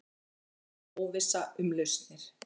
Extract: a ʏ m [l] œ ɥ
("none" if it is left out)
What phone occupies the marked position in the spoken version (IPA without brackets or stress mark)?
l